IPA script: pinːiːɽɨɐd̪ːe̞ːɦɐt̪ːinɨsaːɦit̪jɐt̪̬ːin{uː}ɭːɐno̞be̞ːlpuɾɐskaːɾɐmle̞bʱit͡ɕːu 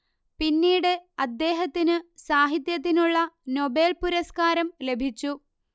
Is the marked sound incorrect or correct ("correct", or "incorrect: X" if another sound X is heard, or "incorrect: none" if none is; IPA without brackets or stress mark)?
incorrect: u